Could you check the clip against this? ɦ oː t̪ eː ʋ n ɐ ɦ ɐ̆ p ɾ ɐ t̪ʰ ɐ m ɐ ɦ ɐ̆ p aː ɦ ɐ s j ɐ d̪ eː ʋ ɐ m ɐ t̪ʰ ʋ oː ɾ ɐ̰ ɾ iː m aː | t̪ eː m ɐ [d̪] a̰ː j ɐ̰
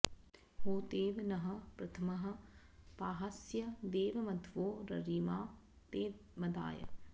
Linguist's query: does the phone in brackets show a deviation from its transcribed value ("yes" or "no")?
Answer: no